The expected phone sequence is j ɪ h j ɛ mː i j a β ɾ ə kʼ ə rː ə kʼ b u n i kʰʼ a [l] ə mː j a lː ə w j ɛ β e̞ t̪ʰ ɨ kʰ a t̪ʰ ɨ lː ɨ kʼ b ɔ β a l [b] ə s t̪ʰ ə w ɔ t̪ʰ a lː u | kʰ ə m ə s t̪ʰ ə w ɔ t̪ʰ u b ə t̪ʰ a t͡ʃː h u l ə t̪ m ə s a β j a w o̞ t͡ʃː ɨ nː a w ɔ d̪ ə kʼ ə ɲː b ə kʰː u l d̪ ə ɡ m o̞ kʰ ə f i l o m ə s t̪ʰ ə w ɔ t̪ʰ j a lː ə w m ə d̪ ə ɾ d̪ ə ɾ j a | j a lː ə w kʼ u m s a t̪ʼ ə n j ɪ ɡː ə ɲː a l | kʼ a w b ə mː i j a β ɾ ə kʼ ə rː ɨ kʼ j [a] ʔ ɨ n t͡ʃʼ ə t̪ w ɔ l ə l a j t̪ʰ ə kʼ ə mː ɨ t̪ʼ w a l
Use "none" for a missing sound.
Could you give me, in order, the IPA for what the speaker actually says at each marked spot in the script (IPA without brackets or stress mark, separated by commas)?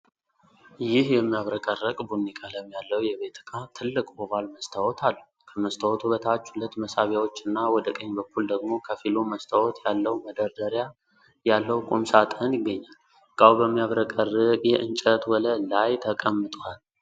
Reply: l, m, ɛ